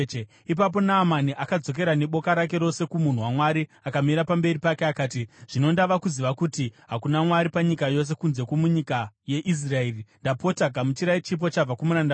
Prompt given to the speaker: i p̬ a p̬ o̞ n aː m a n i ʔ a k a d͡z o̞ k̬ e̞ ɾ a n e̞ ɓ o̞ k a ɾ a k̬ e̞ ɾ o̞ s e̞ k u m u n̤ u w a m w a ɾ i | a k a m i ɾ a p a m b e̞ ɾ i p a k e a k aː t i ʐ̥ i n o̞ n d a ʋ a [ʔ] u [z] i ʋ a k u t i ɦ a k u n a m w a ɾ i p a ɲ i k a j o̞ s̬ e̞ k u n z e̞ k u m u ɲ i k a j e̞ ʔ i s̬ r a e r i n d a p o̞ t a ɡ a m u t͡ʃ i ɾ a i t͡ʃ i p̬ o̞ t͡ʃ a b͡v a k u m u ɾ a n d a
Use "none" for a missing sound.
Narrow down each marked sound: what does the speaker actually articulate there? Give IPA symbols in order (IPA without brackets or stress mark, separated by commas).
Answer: k, z